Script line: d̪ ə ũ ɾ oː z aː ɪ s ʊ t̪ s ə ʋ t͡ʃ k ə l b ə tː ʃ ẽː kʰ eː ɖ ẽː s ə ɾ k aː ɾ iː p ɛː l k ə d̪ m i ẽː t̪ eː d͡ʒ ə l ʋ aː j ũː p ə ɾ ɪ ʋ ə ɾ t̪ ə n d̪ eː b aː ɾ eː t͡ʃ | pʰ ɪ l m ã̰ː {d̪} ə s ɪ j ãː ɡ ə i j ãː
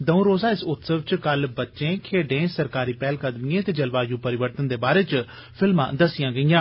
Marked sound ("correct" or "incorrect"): correct